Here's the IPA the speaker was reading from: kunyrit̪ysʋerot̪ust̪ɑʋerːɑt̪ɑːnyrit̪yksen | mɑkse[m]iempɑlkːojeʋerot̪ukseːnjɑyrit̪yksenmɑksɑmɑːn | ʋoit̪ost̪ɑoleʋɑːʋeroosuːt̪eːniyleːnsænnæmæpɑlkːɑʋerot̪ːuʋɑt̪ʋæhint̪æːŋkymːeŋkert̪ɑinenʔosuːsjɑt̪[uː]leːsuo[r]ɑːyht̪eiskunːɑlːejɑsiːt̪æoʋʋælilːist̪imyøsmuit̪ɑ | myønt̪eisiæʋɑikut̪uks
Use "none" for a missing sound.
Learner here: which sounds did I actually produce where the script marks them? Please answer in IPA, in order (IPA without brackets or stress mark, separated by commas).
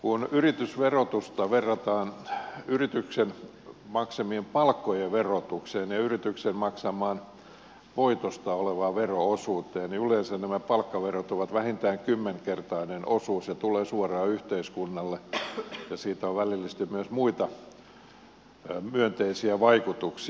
m, u, r